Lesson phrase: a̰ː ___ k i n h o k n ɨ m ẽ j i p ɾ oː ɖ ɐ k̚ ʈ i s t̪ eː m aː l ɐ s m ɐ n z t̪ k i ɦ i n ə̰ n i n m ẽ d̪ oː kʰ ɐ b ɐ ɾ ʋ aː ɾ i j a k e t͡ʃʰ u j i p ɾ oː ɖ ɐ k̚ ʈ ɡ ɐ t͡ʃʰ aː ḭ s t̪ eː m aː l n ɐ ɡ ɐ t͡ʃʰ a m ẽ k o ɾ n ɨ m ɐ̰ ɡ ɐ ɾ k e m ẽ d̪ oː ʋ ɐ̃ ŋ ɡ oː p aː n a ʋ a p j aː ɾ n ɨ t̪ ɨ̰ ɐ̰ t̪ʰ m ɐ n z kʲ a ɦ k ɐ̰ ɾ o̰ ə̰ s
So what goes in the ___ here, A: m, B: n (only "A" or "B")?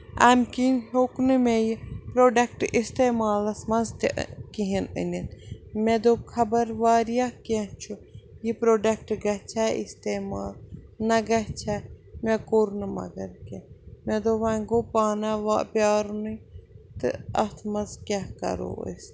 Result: A